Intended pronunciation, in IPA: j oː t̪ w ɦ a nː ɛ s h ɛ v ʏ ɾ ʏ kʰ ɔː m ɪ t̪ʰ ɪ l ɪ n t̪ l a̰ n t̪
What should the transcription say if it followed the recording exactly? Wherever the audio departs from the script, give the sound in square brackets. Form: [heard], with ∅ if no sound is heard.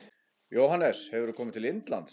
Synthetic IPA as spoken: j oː [∅] w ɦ a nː ɛ s h ɛ v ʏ ɾ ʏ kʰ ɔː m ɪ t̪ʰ ɪ l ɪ n t̪ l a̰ n t̪